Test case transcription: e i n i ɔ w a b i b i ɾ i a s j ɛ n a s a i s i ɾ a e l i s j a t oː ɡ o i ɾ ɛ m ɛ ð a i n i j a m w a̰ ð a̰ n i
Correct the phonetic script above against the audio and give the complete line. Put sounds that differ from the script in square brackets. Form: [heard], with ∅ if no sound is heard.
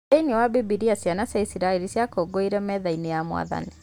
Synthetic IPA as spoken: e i n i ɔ w a b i b i ɾ i a s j [a] n a s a i s i ɾ a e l i s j a [k] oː ɡ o i ɾ ɛ m ɛ ð a i n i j a m w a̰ ð a̰ n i